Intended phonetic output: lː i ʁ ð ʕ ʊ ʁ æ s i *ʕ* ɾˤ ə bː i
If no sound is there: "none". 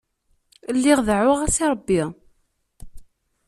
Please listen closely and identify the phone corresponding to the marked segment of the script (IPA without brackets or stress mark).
none